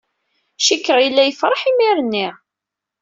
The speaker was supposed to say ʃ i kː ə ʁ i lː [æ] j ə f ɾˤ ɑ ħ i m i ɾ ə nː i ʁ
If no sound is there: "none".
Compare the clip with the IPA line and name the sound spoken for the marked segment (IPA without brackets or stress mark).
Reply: æ